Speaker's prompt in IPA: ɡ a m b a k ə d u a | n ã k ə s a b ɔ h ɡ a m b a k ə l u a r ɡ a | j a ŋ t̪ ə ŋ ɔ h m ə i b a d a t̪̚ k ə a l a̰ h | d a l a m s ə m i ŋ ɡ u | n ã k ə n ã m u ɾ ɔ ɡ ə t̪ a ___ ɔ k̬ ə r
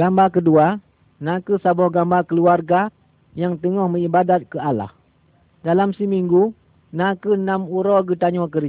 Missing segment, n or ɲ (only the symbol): ɲ